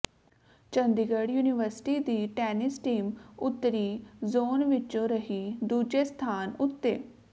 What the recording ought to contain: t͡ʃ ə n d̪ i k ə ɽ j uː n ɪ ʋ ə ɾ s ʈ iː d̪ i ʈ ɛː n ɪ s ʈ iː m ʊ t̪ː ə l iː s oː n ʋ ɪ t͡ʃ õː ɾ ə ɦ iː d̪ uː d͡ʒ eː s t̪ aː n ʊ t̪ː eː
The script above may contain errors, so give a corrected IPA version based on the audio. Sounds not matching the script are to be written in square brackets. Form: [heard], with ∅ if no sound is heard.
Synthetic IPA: t͡ʃ ə n d̪ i [ɡ] ə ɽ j uː n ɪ ʋ ə ɾ s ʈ iː d̪ [iː] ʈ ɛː n ɪ s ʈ iː m ʊ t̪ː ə [ɾ] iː [z] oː n ʋ ɪ t͡ʃ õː ɾ ə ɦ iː d̪ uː d͡ʒ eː s [t̪ʰ] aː n ʊ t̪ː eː